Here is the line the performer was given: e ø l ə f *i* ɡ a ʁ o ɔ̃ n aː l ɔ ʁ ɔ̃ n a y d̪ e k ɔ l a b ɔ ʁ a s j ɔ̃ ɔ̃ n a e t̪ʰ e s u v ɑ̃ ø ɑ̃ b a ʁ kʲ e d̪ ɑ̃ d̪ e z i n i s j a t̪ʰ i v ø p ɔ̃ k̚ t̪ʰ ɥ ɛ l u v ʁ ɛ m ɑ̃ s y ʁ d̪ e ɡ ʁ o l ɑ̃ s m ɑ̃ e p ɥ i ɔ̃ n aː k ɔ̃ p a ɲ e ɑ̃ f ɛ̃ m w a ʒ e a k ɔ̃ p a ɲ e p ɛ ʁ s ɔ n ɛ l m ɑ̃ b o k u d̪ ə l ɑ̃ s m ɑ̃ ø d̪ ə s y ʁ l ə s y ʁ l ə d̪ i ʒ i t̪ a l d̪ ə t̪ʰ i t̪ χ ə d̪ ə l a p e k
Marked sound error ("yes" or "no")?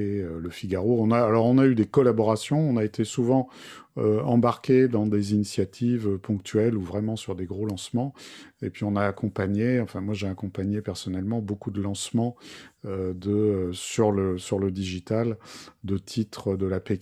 no